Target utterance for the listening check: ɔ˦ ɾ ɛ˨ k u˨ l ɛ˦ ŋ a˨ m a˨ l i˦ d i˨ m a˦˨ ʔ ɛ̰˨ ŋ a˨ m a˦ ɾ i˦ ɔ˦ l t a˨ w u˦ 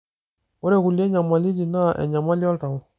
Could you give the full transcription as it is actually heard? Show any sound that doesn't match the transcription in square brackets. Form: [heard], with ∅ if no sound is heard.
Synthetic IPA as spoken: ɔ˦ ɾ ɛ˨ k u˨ l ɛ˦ [ɲ] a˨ m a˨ l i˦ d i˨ [n] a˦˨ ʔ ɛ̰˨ [ɲ] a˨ m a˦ [l] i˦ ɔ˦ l t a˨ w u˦